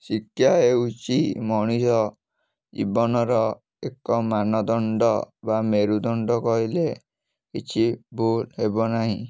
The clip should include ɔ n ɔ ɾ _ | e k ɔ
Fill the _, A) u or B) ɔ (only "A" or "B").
B